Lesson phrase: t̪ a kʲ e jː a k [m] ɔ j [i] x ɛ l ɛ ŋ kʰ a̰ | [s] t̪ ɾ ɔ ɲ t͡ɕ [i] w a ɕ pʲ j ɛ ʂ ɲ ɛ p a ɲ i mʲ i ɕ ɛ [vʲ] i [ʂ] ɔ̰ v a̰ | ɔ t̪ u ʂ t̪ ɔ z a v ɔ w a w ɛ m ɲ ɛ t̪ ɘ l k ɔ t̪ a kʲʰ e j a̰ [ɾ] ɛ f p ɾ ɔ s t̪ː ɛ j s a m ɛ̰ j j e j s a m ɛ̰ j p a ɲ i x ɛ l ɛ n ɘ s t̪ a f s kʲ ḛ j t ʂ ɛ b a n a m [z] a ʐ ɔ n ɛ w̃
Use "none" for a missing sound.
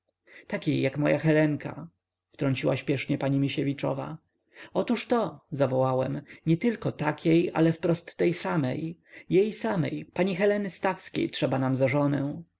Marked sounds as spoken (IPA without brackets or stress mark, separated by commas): m, a, f, i, vʲ, t͡ʂ, l, z